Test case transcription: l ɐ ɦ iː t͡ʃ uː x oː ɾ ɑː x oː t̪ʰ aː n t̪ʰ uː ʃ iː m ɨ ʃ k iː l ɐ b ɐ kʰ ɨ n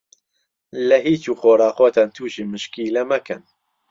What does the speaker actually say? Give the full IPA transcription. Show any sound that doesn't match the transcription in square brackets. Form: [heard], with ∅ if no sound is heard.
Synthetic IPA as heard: l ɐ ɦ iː t͡ʃ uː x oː ɾ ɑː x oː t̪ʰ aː n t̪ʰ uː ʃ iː m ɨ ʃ k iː l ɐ [m] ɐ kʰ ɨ n